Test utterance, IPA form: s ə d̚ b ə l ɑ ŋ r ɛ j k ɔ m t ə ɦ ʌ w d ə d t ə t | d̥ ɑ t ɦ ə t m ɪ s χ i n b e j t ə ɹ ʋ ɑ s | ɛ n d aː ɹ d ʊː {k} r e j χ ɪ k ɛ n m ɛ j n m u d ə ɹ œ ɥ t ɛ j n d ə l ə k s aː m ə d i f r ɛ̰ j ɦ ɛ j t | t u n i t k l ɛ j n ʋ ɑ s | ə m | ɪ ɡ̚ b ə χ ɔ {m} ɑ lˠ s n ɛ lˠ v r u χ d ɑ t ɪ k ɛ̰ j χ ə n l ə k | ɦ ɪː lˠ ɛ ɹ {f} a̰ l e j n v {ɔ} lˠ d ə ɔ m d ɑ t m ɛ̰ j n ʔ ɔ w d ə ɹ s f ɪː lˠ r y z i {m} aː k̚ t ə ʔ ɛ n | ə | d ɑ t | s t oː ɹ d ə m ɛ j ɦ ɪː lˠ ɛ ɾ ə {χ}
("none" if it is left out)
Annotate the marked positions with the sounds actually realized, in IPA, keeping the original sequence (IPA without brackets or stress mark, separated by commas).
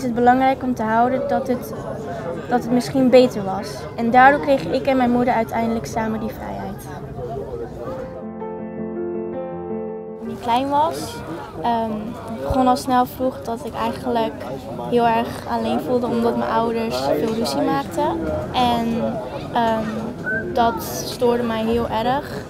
k, n, χ, u, m, χ